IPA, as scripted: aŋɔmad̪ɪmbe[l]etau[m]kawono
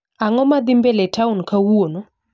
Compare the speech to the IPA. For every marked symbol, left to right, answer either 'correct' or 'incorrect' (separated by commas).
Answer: correct, incorrect